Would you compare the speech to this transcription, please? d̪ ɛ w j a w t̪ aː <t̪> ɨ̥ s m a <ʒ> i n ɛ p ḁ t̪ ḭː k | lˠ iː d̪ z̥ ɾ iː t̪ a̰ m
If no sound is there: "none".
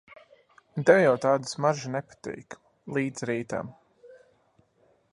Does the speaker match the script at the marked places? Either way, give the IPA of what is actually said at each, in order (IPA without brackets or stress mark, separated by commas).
d̪, ʒ